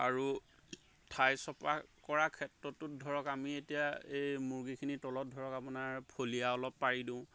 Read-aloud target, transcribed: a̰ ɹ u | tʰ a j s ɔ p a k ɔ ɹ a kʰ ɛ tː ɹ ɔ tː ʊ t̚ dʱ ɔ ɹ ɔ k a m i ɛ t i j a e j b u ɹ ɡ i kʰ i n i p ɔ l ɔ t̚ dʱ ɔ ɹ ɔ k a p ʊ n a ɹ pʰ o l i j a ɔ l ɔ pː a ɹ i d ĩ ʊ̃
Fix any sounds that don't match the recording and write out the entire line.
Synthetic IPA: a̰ ɹ u | tʰ a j s ɔ p a k ɔ ɹ a kʰ ɛ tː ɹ ɔ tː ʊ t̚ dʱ ɔ ɹ ɔ k a m i e t i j a e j m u ɹ ɡ i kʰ i n i t ɔ l ɔ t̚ dʱ ɔ ɹ ɔ k a p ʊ n a ɹ pʰ o l i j a ɔ l ɔ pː a ɹ i d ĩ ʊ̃